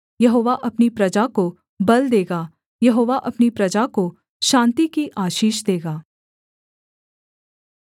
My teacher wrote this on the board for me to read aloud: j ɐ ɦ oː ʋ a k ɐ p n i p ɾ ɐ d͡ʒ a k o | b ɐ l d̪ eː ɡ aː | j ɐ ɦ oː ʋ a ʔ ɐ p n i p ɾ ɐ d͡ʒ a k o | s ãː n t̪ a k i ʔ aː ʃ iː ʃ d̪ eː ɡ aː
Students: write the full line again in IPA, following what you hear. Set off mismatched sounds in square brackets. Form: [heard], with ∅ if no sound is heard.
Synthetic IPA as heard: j ɐ ɦ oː ʋ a [ʔ] ɐ p n i p ɾ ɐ d͡ʒ a k o | b ɐ l d̪ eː ɡ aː | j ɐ ɦ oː ʋ a ʔ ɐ p n i p ɾ ɐ d͡ʒ a k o | [ʃ] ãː n t̪ [i] k i ʔ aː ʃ iː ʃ d̪ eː ɡ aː